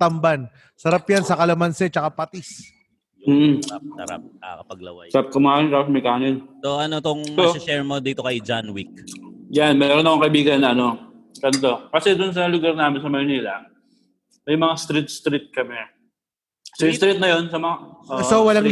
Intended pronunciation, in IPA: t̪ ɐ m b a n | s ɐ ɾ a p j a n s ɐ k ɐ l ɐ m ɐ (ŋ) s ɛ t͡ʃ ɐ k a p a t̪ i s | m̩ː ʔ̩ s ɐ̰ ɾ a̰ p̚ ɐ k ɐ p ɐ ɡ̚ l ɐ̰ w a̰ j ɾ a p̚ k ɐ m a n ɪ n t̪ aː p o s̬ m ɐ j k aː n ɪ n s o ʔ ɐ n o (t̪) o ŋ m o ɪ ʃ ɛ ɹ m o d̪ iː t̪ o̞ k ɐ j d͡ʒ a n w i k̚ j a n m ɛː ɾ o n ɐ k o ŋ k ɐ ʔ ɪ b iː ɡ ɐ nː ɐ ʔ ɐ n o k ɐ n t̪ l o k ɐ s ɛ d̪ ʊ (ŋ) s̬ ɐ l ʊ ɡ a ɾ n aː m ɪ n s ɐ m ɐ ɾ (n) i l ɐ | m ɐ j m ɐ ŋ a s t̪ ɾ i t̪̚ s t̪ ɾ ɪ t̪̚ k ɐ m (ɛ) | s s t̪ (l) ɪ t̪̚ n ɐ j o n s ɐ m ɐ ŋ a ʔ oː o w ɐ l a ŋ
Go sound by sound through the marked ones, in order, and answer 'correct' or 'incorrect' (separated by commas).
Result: incorrect, correct, incorrect, correct, correct, incorrect